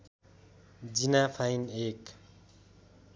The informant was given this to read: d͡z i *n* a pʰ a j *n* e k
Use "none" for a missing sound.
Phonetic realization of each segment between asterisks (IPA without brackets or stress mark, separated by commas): n, n